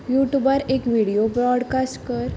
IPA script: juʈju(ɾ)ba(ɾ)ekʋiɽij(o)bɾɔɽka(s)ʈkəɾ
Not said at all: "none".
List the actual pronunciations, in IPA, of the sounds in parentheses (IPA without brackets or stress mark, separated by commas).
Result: none, ɾ, o, s